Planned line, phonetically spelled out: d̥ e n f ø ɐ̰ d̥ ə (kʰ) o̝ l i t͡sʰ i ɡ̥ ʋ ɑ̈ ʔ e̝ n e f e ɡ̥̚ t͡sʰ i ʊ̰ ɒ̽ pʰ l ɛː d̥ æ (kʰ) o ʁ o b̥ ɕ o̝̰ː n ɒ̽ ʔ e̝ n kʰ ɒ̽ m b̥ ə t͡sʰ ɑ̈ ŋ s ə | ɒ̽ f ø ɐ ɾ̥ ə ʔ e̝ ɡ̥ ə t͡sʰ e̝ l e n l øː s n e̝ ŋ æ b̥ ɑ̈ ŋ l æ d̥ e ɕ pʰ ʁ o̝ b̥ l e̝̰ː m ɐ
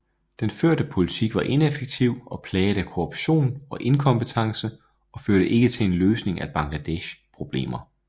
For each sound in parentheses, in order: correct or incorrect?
incorrect: pʰ, correct

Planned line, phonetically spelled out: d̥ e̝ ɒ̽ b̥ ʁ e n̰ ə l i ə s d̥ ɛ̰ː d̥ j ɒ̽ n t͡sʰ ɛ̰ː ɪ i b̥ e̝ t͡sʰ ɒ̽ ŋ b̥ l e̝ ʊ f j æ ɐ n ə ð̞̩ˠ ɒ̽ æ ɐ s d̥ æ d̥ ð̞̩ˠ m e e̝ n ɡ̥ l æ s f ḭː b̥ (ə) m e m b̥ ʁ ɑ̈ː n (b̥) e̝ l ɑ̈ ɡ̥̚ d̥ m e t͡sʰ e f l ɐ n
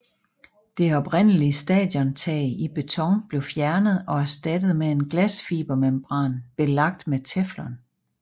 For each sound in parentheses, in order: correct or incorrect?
incorrect: ɐ, correct

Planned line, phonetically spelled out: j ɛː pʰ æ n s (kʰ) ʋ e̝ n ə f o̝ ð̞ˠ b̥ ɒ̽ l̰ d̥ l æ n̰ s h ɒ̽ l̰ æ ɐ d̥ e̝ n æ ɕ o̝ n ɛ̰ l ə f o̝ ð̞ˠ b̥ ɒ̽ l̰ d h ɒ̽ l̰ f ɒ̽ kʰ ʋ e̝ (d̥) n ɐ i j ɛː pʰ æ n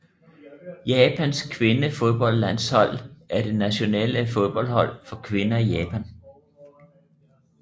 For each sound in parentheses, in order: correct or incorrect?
correct, incorrect: none

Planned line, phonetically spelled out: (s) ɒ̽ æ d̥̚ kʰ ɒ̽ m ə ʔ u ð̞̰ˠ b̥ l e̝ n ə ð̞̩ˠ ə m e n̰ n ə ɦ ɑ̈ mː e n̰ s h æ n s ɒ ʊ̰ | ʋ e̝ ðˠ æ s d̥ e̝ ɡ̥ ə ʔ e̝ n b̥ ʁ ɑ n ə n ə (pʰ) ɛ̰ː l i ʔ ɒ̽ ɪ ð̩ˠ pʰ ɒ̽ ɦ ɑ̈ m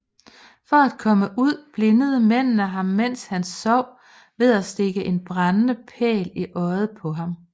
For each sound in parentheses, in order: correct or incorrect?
incorrect: f, correct

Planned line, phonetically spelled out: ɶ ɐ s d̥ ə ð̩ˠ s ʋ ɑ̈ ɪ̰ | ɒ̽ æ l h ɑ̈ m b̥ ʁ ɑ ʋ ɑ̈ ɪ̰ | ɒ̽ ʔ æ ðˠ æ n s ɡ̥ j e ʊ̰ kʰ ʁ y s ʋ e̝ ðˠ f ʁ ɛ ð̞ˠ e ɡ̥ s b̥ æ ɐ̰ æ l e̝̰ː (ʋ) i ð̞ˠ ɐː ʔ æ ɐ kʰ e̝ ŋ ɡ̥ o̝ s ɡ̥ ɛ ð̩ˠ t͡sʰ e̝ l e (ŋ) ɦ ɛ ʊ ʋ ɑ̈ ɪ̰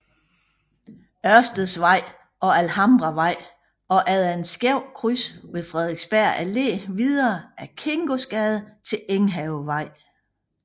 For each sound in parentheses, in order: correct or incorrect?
correct, correct

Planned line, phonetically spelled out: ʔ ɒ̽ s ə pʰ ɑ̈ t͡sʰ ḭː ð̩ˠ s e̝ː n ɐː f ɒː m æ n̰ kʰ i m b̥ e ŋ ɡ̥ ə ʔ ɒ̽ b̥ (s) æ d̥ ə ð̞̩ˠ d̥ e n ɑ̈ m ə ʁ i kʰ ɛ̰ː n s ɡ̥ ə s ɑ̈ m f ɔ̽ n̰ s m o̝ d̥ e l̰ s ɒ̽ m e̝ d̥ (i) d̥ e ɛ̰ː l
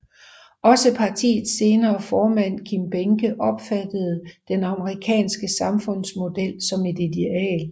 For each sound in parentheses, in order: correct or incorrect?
incorrect: f, correct

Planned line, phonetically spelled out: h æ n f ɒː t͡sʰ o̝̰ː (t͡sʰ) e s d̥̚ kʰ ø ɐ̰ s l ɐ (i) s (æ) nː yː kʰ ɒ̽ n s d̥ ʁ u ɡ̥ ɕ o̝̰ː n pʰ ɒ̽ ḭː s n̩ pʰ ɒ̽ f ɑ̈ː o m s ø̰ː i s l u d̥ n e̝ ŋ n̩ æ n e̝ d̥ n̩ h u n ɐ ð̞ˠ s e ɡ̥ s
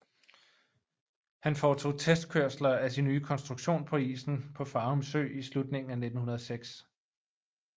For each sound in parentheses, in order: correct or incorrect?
correct, incorrect: æ, incorrect: i

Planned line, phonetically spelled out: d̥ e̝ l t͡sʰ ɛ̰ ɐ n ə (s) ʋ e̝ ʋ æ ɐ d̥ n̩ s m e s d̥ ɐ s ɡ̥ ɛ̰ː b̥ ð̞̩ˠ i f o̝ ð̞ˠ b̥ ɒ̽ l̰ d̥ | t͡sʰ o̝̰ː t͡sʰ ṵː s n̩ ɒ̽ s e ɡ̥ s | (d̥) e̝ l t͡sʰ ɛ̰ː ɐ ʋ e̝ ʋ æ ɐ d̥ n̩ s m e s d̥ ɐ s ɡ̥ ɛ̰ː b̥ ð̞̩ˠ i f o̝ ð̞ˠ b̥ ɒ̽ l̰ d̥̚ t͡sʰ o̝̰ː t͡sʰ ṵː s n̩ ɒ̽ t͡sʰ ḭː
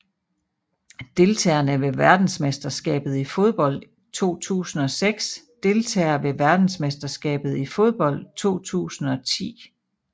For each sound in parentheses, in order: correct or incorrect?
incorrect: none, correct

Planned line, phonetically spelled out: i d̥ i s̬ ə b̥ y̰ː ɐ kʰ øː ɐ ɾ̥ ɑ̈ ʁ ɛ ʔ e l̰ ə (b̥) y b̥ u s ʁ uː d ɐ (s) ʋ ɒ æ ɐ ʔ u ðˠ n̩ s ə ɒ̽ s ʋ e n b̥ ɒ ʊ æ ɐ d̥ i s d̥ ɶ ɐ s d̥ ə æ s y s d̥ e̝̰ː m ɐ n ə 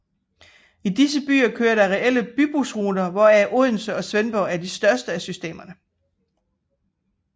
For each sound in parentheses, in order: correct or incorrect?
correct, incorrect: none

